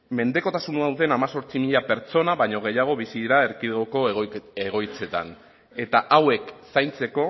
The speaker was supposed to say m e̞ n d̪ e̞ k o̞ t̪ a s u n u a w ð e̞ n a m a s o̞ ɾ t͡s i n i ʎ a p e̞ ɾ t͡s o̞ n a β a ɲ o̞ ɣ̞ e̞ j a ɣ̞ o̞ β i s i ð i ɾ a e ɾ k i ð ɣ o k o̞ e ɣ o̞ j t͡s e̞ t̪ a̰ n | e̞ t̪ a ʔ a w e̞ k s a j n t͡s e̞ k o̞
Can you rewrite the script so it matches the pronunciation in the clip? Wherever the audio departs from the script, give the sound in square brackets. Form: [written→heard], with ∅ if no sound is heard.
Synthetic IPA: m e̞ n d̪ e̞ k o̞ t̪ a s u n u a w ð e̞ n a m a s o̞ ɾ t͡s i [n→m] i ʎ a p e̞ ɾ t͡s o̞ n a β a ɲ o̞ ɣ̞ e̞ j a ɣ̞ o̞ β i s i ð i ɾ a e ɾ k i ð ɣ o k o̞ e ɣ o̞ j t͡s e̞ t̪ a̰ n | e̞ t̪ a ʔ a w e̞ k s a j n t͡s e̞ k o̞